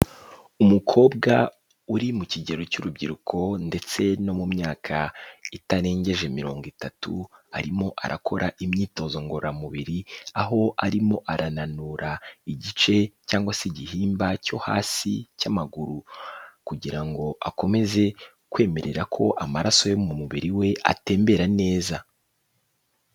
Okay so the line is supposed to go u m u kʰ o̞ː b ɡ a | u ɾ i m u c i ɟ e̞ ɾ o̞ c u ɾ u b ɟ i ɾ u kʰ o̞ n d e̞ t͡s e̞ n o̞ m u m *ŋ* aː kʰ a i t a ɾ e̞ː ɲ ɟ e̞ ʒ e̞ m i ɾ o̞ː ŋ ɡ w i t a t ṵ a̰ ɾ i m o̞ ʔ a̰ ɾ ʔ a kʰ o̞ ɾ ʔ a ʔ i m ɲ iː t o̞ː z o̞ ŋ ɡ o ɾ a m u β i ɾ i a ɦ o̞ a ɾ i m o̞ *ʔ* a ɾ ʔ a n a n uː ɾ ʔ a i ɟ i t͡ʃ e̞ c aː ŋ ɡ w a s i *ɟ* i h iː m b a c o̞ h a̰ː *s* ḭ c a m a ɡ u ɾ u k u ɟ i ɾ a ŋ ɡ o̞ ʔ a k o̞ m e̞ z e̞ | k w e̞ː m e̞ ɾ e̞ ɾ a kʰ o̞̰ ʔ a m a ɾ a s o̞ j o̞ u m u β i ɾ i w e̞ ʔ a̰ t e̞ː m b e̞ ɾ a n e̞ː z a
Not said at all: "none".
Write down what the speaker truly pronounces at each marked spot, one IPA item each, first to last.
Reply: ɲ, ʔ, ɟ, s

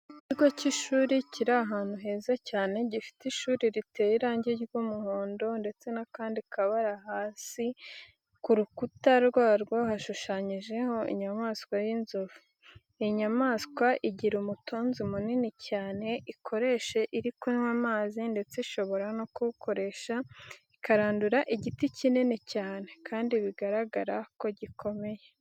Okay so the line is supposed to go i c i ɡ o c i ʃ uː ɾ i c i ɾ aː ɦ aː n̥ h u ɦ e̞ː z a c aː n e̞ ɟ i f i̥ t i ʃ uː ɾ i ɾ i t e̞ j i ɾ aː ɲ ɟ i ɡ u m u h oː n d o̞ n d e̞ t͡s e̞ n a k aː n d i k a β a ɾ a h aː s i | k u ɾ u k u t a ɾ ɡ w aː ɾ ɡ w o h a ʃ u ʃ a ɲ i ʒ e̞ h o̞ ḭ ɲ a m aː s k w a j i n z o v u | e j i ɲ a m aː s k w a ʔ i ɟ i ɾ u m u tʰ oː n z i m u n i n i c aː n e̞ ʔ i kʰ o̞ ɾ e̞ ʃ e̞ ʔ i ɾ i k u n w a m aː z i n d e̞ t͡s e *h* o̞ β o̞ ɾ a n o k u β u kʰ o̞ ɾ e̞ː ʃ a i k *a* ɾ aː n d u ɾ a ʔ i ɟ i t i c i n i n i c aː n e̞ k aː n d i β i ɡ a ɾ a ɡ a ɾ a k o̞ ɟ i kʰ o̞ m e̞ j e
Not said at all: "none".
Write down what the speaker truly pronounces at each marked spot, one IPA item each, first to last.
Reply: ʃ, a

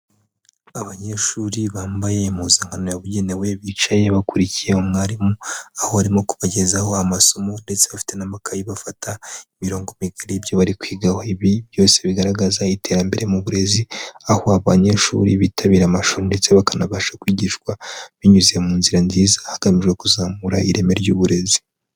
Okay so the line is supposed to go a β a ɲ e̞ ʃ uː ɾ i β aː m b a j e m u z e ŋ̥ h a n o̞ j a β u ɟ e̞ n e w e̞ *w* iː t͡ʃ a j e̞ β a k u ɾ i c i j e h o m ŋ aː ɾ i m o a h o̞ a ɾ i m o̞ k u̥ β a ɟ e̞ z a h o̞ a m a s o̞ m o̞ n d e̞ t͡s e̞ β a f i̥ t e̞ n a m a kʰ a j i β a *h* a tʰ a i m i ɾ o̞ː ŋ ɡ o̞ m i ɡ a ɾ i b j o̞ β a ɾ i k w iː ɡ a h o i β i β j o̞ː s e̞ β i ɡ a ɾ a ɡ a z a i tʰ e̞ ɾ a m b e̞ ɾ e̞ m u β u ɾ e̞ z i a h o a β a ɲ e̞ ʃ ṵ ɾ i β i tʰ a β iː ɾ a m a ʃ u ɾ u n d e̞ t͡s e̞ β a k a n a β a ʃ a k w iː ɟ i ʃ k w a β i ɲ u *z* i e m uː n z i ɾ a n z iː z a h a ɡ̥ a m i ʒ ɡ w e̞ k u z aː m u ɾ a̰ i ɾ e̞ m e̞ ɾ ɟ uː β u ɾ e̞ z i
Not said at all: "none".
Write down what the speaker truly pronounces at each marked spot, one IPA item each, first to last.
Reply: β, f, z

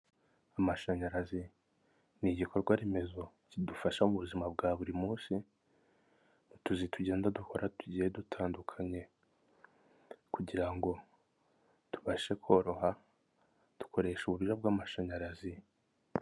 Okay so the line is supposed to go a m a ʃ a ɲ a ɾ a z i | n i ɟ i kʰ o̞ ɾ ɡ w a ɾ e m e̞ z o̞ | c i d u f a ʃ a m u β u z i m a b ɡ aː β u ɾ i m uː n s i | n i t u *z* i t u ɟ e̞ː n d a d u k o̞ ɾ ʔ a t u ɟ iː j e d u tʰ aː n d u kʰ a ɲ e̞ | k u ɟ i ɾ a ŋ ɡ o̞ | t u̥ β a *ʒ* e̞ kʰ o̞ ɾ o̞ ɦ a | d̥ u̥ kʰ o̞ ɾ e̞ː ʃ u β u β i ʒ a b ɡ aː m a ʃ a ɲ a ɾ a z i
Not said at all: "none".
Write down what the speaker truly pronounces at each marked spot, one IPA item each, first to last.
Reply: z, ʃ

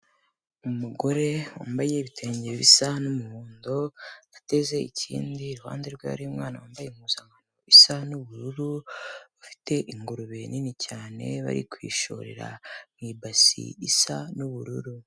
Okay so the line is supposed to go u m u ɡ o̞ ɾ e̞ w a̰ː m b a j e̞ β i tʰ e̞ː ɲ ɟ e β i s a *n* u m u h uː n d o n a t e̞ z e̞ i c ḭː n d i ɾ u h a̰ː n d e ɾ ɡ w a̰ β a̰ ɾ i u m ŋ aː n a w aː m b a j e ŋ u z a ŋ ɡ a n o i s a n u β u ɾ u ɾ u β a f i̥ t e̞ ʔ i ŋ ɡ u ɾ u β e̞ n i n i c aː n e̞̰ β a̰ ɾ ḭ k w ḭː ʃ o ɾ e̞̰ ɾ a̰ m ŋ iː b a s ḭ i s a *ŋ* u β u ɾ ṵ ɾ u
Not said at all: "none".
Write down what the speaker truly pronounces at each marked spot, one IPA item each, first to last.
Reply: n, n

